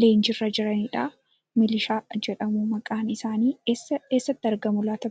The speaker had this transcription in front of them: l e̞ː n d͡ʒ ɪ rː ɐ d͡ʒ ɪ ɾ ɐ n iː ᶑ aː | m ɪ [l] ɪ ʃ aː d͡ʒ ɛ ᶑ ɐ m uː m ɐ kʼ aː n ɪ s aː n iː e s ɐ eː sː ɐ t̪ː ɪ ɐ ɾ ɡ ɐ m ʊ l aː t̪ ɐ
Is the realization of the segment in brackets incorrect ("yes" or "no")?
no